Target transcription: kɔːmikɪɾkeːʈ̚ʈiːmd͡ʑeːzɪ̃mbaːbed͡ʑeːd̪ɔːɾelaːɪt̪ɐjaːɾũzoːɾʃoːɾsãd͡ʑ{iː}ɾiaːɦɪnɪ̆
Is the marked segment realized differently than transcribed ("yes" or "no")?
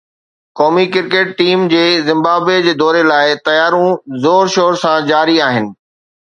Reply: yes